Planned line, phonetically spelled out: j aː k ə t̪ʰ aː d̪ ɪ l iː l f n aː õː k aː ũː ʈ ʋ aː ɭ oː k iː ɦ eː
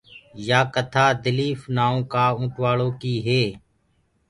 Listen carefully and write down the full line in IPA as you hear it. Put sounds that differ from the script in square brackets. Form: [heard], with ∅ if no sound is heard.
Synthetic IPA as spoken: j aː k ə t̪ʰ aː d̪ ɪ l iː [∅] f n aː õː k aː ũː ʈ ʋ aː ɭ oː k iː ɦ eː

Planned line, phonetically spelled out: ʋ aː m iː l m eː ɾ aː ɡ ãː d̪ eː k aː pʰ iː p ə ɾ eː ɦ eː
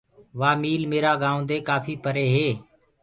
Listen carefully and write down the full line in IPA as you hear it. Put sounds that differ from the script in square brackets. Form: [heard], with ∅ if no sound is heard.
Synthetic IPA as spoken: ʋ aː m iː l m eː ɾ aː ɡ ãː d̪ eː k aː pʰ iː p ə ɾ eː ɦ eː

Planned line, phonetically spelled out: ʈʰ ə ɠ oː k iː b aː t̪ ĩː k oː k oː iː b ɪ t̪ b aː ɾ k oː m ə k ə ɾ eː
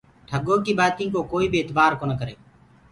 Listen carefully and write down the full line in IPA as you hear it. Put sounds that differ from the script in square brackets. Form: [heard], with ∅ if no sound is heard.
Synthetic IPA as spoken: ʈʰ ə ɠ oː k iː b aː t̪ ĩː k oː k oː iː b ɪ t̪ b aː ɾ k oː [n] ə k ə ɾ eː

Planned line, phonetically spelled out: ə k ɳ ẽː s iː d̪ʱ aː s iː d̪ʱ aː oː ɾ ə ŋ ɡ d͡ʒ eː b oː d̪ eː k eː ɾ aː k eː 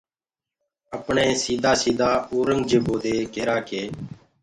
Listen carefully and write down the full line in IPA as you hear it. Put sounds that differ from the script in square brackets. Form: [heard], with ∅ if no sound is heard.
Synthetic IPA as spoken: ə [p] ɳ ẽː s iː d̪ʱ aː s iː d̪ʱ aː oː ɾ ə ŋ ɡ d͡ʒ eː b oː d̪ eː k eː ɾ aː k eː

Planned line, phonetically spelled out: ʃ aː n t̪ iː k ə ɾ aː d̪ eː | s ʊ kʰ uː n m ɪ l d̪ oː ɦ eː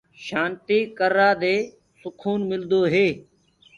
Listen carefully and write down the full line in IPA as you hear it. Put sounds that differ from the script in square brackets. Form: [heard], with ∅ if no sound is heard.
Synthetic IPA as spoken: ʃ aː n t̪ iː k ə ɾ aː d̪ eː | s ʊ kʰ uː n m ɪ l d̪ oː ɦ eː

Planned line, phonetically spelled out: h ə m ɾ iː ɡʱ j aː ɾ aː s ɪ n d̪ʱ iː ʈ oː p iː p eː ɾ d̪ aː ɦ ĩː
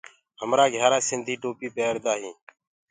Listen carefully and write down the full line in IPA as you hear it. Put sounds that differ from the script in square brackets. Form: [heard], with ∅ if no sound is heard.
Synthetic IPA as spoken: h ə m ɾ [aː] ɡʱ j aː ɾ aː s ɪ n d̪ʱ iː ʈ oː p iː p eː ɾ d̪ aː ɦ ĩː

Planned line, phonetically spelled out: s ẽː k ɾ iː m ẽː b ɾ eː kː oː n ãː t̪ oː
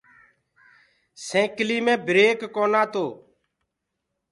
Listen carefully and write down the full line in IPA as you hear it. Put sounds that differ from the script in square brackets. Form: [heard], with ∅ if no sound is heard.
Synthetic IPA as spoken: s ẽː k [l] iː m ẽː b ɾ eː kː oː n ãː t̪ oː

